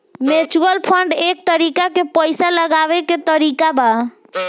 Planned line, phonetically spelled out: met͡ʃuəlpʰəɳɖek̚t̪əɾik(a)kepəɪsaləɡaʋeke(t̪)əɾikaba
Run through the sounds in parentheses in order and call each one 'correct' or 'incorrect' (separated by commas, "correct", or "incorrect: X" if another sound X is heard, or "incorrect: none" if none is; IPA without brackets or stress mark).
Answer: correct, correct